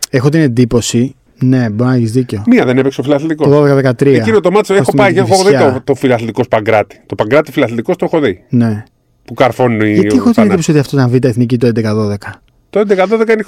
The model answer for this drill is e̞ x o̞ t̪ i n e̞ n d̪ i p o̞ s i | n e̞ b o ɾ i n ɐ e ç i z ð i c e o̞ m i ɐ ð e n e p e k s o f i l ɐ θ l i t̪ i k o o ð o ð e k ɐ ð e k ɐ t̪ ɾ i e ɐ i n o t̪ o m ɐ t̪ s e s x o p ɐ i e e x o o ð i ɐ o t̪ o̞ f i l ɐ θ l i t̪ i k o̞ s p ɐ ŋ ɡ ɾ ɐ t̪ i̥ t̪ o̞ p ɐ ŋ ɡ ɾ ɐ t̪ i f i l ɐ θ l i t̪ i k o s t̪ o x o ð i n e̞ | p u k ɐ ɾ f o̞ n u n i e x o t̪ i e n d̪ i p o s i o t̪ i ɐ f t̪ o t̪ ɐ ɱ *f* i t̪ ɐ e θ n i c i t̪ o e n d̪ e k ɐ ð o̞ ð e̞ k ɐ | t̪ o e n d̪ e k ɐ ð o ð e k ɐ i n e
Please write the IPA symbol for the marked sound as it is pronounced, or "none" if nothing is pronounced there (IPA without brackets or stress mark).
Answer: v